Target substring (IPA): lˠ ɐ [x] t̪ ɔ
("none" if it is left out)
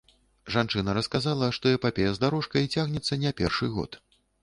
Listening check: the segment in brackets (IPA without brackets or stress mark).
ʂ